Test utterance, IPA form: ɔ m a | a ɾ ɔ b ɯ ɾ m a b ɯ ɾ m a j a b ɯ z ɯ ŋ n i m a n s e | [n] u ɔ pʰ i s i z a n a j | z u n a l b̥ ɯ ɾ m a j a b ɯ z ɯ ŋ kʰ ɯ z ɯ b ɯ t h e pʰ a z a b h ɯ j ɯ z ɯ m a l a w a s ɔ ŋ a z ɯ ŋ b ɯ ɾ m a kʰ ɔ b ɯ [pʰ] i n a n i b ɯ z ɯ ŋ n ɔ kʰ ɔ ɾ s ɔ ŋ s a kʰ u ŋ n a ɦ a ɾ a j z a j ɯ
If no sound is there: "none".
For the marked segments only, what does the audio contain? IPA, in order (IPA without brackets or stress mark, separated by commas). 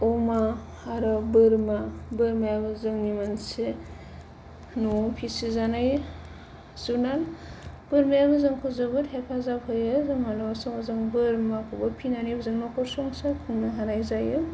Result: n, pʰ